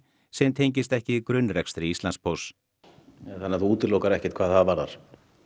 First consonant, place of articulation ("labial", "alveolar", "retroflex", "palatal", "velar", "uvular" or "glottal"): alveolar